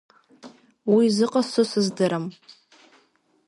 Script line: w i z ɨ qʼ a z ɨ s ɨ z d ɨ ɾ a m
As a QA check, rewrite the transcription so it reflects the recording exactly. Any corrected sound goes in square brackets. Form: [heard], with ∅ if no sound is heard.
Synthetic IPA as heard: w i z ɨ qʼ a [s] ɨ s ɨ z d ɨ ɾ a m